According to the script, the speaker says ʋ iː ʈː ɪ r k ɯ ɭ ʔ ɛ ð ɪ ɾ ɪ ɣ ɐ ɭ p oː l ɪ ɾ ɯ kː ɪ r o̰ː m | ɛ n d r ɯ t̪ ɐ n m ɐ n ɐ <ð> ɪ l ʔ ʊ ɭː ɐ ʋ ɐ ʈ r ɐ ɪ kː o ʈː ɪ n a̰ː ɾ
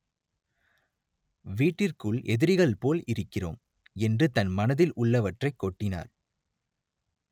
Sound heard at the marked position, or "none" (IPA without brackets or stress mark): ð